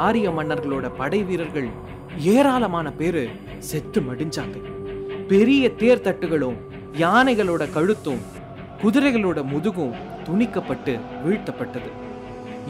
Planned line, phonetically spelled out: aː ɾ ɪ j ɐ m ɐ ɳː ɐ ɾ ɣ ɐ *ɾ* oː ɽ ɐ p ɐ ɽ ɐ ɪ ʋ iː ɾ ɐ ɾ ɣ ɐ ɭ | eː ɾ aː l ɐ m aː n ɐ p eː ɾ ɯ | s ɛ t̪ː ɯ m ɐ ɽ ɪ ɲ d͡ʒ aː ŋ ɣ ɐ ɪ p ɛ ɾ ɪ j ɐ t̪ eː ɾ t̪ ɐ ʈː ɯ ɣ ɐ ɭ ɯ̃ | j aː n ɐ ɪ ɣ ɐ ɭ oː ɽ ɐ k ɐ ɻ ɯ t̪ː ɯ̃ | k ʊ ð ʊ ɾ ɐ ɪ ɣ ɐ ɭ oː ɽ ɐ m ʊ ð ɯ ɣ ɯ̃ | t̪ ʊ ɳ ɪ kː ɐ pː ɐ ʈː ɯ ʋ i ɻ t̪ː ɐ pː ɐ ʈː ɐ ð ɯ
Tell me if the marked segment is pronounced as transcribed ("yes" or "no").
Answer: no